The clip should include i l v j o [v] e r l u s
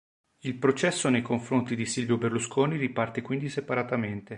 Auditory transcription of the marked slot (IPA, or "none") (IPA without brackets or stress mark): b